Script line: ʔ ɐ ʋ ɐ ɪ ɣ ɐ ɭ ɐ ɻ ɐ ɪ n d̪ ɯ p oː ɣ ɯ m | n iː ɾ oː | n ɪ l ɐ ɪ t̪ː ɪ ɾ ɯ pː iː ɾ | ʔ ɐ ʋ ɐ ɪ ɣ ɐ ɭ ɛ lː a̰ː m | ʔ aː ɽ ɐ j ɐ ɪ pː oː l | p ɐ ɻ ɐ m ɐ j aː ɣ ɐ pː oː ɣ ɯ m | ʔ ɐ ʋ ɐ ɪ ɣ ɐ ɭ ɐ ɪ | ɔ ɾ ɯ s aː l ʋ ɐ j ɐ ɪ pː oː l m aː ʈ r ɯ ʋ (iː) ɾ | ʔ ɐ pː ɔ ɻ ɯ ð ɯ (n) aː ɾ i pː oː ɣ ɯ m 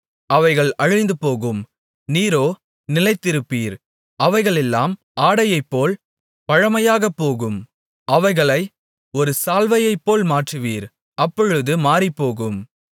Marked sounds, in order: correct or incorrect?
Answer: correct, incorrect

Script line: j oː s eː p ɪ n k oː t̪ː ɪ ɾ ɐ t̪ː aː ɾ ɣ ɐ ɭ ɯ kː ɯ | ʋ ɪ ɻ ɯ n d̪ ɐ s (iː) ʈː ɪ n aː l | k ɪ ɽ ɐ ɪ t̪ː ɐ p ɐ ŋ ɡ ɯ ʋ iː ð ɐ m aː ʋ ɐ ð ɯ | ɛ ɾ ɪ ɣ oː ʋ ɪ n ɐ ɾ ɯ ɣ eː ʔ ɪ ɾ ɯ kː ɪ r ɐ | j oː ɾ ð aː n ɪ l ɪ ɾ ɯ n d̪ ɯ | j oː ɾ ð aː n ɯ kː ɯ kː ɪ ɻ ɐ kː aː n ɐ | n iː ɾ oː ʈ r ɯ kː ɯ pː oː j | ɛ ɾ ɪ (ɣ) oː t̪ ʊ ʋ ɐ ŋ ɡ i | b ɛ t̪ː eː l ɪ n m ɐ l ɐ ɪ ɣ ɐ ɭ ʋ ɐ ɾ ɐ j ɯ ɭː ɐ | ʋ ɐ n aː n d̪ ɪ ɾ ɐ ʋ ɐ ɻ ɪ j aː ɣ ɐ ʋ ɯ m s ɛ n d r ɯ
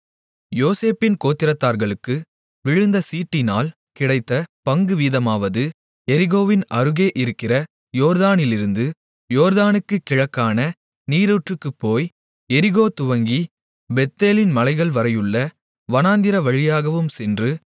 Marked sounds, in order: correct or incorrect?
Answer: correct, correct

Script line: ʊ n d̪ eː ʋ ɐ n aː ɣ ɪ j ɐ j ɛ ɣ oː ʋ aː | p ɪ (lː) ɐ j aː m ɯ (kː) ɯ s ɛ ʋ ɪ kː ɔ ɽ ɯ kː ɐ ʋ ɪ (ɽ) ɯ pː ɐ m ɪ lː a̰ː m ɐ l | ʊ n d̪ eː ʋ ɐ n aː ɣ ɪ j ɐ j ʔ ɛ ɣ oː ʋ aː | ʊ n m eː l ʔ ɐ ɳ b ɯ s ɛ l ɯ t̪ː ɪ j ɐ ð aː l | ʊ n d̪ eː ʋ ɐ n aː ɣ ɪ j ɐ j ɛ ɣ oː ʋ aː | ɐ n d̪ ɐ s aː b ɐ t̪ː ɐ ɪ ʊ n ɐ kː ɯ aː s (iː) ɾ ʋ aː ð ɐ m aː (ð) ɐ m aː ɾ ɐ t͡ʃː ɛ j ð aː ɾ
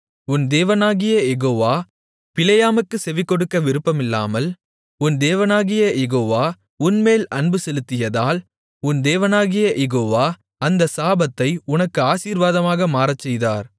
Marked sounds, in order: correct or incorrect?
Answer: incorrect, correct, incorrect, correct, incorrect

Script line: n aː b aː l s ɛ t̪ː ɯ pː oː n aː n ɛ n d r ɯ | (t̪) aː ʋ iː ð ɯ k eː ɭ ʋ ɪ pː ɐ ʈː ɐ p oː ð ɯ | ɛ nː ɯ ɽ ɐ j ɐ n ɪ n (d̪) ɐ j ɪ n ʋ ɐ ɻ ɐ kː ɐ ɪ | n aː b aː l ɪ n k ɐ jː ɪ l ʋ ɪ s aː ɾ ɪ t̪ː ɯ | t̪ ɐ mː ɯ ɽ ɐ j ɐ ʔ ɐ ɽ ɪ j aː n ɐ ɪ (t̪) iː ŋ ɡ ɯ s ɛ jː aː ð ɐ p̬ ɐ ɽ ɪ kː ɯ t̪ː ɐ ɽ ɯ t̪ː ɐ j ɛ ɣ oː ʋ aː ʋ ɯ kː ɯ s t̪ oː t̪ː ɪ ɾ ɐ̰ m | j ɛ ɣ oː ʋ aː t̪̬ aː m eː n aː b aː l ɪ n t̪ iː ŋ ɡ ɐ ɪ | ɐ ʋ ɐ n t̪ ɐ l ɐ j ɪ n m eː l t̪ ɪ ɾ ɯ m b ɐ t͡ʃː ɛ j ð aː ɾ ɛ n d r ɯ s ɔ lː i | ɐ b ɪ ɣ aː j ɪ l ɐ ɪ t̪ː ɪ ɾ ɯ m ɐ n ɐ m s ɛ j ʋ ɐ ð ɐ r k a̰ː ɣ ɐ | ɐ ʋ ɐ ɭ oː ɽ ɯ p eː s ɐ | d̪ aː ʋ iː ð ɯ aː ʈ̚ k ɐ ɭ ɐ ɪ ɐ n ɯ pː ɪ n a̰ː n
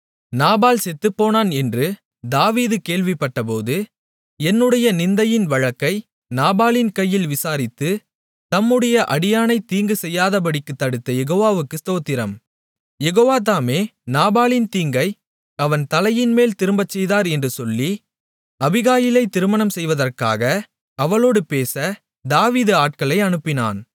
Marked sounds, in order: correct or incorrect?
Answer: incorrect, correct, correct

